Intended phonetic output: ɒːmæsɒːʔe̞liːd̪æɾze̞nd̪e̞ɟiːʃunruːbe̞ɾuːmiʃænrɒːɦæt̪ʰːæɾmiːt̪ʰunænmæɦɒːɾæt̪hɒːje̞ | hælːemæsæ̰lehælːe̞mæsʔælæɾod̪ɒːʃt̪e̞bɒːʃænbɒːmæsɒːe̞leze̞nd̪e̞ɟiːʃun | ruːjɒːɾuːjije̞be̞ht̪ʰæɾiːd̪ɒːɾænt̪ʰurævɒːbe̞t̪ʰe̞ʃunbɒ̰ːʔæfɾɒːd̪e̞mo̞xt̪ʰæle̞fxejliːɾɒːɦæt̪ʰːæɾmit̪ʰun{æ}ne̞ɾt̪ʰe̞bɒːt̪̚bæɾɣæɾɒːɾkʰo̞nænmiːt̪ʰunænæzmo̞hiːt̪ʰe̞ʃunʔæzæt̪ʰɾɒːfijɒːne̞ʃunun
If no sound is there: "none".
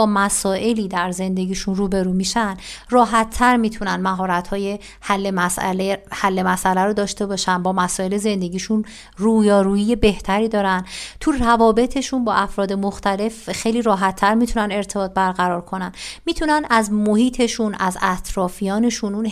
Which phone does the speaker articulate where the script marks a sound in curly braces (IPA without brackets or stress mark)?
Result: æ